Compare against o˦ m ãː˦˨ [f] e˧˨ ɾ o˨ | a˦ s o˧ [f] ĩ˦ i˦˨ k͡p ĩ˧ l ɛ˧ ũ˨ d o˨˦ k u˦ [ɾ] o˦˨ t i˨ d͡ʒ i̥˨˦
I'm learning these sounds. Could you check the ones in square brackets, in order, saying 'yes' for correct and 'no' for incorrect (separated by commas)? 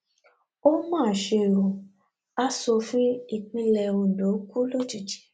no, yes, no